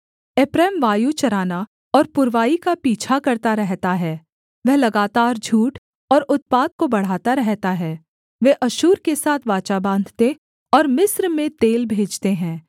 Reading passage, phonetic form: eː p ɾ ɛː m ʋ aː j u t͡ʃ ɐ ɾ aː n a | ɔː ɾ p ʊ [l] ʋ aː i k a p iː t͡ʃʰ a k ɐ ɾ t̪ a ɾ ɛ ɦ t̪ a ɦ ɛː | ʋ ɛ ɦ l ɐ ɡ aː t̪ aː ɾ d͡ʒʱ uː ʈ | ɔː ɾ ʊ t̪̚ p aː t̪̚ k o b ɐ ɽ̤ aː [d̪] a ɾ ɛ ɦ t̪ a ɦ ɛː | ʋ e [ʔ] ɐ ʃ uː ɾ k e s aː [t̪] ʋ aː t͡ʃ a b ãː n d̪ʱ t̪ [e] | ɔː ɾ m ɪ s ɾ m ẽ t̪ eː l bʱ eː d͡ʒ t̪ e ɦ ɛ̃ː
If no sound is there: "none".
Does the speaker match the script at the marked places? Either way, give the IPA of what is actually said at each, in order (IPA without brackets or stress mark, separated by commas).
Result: ɾ, t̪, ʔ, t̪ʰ, e